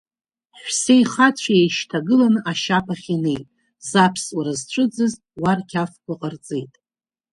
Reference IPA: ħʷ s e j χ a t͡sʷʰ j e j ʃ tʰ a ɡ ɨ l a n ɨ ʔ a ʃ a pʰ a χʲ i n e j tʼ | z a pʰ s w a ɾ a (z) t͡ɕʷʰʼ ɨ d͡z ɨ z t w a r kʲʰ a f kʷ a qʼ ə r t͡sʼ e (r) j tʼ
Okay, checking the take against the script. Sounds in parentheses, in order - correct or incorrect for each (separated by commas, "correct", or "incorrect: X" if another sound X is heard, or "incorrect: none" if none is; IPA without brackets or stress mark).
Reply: correct, incorrect: none